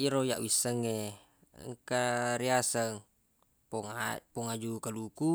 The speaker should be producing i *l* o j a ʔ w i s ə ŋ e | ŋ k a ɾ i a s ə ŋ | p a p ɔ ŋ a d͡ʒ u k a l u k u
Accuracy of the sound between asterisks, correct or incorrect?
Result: incorrect